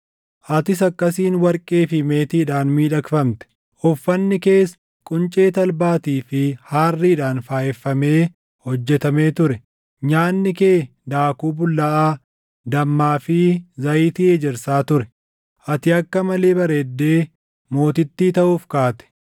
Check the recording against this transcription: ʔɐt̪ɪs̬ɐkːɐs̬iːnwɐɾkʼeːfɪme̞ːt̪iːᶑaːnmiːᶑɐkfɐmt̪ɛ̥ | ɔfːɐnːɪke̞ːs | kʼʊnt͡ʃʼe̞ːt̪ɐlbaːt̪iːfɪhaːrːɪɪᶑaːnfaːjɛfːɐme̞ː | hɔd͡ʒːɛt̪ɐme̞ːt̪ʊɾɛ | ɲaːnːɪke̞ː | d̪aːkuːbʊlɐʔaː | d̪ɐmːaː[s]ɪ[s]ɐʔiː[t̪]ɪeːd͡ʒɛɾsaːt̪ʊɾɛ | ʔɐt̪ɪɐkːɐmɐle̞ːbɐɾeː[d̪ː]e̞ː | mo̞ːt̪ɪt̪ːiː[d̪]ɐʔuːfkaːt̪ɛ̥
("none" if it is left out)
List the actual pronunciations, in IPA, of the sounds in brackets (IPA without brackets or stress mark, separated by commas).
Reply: f, z, t̪, d̪ː, t̪